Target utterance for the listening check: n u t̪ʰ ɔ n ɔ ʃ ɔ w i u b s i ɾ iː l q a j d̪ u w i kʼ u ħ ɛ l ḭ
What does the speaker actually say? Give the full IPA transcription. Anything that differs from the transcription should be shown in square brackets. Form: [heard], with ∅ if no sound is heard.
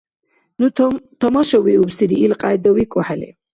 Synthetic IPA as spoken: n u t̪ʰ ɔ [m] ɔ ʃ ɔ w i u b s i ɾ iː l [qʼ] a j d̪ [ɔ] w i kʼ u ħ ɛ l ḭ

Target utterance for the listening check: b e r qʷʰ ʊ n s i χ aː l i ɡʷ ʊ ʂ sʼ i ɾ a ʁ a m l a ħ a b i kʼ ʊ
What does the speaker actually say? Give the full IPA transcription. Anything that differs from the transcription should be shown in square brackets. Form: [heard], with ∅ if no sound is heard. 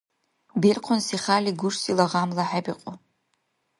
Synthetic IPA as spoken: b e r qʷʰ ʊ n s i χ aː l i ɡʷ ʊ ʂ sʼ i [l] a ʁ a m l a ħ a b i [qʼ] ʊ

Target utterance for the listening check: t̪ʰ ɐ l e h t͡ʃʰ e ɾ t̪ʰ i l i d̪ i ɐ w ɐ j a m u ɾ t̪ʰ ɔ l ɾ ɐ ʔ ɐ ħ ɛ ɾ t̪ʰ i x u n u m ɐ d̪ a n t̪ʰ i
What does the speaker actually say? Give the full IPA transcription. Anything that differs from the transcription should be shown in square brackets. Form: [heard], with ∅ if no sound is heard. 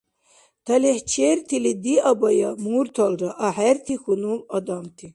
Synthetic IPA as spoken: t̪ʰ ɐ l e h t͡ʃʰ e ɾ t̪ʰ i l i d̪ i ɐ [b] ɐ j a m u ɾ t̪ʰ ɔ l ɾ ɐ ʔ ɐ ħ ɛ ɾ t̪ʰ i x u n u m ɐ d̪ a [m] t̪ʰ i

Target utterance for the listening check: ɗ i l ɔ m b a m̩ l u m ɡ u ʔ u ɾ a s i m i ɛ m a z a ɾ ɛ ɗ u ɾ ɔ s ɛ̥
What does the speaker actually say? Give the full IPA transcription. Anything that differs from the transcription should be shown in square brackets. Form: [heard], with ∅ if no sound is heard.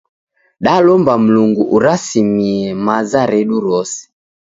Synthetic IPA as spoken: ɗ [a] l ɔ m b a m̩ l u [ŋ] ɡ u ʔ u ɾ a s i m i ɛ m a z a ɾ ɛ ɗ u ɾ ɔ s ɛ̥

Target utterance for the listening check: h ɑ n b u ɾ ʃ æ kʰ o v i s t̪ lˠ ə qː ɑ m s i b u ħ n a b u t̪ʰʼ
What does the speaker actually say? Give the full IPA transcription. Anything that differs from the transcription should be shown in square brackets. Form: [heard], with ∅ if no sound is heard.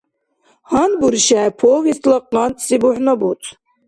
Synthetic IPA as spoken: h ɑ n b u ɾ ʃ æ [pʰ] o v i s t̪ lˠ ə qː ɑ [n] s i b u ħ n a b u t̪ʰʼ

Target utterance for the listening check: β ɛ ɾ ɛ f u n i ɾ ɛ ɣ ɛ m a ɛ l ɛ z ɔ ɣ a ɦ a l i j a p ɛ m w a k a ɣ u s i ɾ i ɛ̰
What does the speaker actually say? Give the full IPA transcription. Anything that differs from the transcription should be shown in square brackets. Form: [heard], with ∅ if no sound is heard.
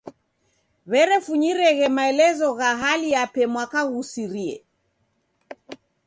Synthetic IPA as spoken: β ɛ ɾ ɛ f u [ɲ] i ɾ ɛ ɣ ɛ m a ɛ l ɛ z ɔ ɣ a ɦ a l i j a p ɛ m w a k a ɣ u s i ɾ i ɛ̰

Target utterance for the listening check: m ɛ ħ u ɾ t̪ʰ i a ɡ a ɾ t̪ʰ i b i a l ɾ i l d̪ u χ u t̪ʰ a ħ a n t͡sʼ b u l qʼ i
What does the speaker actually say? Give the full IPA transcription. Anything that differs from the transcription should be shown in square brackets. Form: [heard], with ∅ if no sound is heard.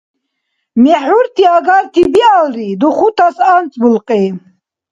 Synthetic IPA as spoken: m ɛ ħ u ɾ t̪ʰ i a ɡ a ɾ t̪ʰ i b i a l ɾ i [∅] d̪ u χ u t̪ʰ a [s] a n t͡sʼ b u l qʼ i

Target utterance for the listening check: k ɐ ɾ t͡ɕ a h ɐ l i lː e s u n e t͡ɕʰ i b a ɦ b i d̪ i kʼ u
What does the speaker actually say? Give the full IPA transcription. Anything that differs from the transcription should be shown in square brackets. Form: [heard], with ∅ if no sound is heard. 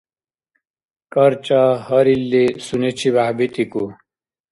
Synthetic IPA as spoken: k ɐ ɾ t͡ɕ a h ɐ [ɾ] i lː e s u n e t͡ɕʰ i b a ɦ b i [t̪] i [k] u

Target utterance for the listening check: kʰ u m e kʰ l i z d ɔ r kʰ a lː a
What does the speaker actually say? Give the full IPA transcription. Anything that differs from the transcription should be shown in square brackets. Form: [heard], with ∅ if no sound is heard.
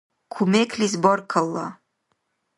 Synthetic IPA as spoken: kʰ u m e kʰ l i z [b] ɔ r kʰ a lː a

